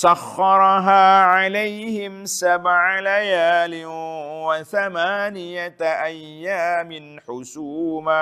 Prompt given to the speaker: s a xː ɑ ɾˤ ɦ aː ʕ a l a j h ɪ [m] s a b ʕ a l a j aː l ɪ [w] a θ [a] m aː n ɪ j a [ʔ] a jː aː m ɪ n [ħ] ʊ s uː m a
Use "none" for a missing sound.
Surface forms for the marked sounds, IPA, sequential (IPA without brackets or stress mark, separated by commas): m, w, a, ʔ, ħ